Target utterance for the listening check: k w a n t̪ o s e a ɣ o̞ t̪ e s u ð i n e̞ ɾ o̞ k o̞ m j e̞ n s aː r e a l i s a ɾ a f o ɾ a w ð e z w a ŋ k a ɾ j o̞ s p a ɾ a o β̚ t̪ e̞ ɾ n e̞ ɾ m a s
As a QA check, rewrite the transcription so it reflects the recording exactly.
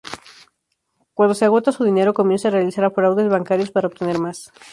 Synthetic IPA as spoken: k w a n d̪ o s e a ɣ o̞ t̪ a s u ð i n e̞ ɾ o̞ k o̞ m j e̞ n s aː r e a l i s a ɾ a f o ɾ a w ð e z β a ŋ k a ɾ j o̞ s p a ɾ a o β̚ t̪ e̞ n e̞ ɾ m a s